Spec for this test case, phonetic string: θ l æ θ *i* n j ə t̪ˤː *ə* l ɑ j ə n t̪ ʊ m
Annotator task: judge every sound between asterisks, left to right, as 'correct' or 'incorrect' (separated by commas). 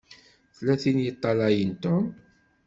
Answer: correct, incorrect